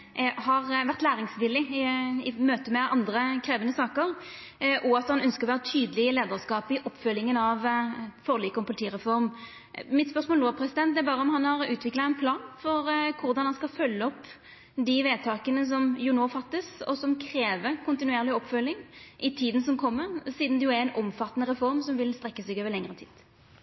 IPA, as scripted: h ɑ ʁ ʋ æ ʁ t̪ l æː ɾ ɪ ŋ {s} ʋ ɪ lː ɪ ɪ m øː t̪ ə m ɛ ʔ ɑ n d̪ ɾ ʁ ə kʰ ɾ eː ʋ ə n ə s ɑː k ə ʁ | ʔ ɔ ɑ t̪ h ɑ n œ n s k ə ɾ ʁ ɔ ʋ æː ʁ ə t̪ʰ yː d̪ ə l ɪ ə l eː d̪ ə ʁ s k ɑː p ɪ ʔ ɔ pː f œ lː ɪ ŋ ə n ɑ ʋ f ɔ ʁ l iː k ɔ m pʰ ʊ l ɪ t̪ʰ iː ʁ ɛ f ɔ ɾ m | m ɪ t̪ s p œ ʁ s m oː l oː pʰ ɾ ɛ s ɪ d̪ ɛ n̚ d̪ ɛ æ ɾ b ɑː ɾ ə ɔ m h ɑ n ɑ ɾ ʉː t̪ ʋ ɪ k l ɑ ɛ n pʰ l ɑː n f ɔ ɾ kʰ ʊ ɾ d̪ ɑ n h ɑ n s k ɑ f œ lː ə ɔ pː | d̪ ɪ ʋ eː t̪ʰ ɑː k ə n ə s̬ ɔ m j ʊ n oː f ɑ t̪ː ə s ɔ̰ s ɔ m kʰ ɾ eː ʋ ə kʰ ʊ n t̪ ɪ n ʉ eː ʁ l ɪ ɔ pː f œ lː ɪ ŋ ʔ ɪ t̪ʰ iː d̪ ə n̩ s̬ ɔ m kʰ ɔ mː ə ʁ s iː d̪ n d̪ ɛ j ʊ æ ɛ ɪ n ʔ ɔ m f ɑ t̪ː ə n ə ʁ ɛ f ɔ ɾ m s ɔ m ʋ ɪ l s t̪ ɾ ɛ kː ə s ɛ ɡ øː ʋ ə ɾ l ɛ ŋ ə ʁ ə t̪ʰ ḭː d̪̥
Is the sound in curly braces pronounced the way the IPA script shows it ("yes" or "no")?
yes